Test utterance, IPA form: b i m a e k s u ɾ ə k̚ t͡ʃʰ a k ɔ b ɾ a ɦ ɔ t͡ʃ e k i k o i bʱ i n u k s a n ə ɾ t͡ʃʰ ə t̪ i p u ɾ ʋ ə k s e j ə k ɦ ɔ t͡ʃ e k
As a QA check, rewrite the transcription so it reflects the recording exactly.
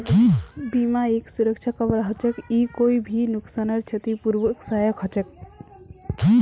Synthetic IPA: b i m a e k s u ɾ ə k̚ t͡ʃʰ a k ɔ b ɾ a ɦ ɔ t͡ʃ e k i k o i bʱ i n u k s a n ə ɾ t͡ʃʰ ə t̪ i p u ɾ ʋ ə k s a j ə k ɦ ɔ t͡ʃ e k